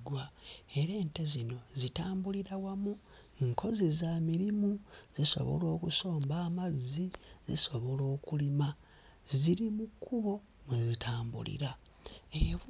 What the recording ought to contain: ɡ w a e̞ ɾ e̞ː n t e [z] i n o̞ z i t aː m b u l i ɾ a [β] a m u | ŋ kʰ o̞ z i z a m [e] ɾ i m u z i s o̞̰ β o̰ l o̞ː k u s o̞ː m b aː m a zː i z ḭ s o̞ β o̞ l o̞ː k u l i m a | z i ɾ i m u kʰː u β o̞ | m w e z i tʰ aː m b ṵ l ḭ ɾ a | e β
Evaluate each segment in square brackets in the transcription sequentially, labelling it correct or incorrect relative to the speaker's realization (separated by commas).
correct, incorrect, incorrect